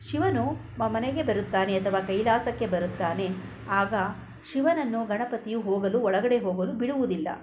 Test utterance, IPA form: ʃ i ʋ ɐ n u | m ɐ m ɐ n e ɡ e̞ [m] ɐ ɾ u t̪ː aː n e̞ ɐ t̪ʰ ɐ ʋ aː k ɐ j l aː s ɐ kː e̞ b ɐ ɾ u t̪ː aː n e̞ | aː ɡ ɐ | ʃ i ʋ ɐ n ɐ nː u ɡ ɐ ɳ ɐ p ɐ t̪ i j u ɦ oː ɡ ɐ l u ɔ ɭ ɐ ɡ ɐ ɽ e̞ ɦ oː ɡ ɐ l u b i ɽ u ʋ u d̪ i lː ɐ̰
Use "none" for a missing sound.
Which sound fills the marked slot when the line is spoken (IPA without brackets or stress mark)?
b